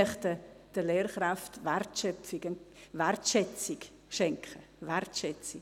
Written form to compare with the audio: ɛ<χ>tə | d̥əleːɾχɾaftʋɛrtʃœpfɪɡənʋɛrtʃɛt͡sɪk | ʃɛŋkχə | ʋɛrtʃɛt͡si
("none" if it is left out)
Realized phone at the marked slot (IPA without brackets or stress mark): χ